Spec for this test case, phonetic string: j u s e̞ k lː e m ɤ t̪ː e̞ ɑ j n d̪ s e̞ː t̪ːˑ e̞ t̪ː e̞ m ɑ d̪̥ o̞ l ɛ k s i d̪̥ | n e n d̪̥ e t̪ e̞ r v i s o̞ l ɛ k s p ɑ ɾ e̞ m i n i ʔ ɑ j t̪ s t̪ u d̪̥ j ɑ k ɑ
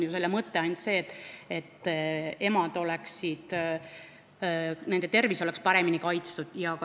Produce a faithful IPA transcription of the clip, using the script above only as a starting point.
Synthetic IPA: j u s e̞ lː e m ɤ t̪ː e̞ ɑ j n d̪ s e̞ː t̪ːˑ e̞ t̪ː e̞ m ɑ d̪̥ o̞ l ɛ k s i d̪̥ | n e n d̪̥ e t̪ e̞ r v i s o̞ l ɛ k s p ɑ ɾ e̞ m i n i k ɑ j t̪ s t̪ u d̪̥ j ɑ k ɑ